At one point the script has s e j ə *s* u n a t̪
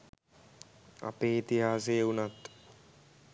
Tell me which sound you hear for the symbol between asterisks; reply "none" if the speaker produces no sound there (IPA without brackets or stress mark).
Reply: none